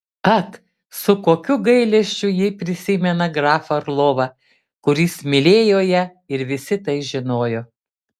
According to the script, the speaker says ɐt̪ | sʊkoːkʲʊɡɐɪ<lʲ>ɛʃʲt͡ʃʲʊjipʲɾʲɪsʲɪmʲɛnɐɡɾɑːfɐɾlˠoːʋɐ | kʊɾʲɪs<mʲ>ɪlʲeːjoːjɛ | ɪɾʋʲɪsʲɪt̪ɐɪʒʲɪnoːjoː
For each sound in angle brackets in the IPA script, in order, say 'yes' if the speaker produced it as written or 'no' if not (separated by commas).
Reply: yes, yes